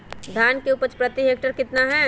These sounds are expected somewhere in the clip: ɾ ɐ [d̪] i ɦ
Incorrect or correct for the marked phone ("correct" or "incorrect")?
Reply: incorrect